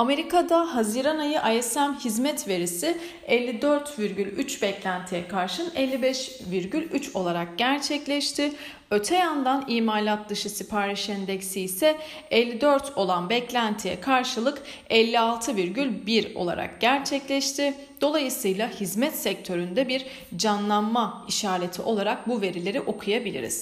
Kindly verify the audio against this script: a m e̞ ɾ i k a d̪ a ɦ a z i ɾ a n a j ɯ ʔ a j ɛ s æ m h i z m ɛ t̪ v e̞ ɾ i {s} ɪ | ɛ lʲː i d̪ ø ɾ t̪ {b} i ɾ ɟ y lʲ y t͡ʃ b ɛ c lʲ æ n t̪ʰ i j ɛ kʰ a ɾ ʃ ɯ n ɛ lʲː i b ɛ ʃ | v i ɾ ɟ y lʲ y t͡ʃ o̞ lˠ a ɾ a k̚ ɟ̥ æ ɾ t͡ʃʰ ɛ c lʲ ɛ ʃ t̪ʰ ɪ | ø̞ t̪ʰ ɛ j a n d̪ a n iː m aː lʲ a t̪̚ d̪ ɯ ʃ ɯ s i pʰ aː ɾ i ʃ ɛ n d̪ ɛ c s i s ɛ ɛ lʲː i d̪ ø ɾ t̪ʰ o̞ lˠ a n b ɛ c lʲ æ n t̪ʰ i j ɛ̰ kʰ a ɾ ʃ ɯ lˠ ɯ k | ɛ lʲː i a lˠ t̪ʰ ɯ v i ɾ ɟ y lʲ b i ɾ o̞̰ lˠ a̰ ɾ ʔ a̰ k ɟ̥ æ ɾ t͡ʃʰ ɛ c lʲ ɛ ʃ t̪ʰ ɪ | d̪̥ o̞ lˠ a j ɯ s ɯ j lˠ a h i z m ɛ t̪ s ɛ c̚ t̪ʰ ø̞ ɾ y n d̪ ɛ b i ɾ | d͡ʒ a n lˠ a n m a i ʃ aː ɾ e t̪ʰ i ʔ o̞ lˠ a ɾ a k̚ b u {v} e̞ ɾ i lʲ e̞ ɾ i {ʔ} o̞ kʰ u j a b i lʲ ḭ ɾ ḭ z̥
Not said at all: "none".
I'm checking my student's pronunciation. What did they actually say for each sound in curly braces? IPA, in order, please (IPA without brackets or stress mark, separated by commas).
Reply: s, v, v, ʔ